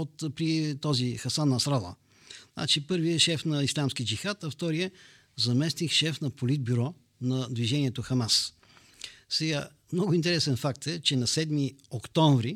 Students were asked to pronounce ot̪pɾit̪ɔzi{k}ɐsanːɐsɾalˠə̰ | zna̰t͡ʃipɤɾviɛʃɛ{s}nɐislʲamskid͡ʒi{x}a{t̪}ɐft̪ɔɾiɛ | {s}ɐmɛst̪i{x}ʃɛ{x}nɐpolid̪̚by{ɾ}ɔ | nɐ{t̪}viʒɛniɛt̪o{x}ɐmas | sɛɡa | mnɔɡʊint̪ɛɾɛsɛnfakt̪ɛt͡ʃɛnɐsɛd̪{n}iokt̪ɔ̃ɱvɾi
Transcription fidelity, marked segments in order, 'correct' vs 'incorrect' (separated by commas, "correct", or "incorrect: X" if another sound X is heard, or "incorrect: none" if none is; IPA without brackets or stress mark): incorrect: x, incorrect: f, correct, correct, incorrect: z, correct, incorrect: f, correct, incorrect: d̪, correct, incorrect: m